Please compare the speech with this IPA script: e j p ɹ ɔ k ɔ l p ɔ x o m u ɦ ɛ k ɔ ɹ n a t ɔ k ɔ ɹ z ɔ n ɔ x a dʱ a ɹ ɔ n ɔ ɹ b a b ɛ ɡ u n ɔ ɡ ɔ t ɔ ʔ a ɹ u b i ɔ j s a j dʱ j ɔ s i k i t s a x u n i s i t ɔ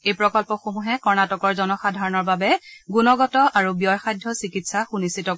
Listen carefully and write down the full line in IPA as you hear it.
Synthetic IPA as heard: e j p ɹ ɔ k ɔ l p ɔ x o m u ɦ ɛ k ɔ ɹ n a t ɔ k ɔ ɹ z ɔ n ɔ x a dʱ a ɹ ɔ n ɔ ɹ b a b ɛ ɡ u n ɔ ɡ ɔ t ɔ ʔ a ɹ u b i ɔ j x a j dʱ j ɔ s i k i t s a x u n i s i t ɔ